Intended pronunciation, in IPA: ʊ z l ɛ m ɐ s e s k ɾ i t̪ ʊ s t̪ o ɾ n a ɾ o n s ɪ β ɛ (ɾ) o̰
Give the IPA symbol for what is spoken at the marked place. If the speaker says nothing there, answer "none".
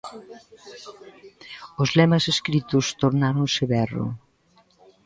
r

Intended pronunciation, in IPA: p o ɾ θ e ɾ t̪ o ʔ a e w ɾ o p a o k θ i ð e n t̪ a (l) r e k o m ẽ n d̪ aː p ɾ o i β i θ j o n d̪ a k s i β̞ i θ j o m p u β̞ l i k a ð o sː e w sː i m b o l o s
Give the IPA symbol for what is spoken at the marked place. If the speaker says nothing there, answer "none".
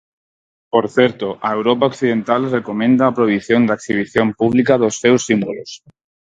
l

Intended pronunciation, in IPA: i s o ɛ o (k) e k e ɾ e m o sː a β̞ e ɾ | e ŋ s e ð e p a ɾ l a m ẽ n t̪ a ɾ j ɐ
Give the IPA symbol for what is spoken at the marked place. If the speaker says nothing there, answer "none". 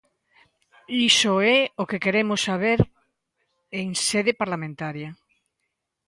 k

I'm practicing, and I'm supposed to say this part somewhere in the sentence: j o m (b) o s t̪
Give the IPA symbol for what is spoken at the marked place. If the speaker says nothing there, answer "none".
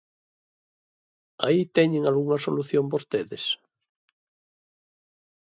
b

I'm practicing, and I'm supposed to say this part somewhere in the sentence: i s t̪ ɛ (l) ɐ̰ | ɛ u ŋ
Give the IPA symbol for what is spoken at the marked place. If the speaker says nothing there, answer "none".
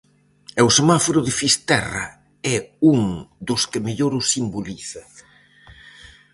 r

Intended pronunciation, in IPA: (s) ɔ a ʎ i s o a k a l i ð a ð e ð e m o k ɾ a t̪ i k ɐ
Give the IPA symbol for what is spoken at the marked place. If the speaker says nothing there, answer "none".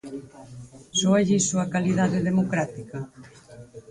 s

